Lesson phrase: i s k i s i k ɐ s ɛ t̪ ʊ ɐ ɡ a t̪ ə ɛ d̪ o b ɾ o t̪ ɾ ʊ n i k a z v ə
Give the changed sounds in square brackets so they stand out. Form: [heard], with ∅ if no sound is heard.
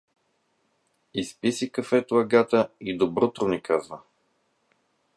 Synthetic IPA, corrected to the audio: i s [p] i s i k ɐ [f] ɛ t̪ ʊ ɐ ɡ a t̪ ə [i] d̪ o b ɾ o t̪ ɾ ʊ n i k a z v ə